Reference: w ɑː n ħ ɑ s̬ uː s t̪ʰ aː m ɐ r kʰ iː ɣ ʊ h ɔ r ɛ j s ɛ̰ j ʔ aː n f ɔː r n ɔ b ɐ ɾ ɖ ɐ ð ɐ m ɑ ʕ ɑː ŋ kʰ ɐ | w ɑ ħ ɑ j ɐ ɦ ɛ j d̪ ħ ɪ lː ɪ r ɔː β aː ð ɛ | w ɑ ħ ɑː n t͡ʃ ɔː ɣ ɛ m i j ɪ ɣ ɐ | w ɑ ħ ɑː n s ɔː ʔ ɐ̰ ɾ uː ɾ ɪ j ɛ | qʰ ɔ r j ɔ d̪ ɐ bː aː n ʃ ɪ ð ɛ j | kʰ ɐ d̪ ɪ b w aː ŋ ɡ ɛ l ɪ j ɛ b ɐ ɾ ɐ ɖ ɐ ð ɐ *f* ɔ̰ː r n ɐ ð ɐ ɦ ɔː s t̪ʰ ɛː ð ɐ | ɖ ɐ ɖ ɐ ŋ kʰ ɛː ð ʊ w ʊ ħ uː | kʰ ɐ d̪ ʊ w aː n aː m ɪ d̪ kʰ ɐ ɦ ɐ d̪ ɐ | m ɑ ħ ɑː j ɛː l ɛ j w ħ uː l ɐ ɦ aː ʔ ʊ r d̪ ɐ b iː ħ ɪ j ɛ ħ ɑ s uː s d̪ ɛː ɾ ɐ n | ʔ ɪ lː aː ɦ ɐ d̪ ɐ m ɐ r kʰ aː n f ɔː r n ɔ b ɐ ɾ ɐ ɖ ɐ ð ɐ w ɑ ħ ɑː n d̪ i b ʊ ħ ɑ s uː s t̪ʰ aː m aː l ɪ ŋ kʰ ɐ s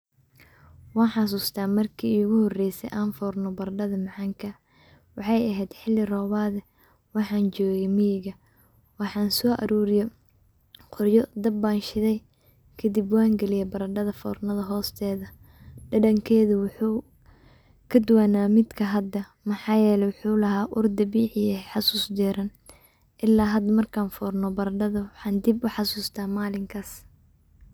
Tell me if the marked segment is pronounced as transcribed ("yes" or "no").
yes